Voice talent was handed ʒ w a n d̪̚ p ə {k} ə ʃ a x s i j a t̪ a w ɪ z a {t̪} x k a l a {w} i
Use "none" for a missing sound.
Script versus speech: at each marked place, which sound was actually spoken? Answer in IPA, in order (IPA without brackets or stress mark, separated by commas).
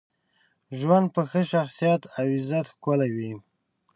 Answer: x, t̪, w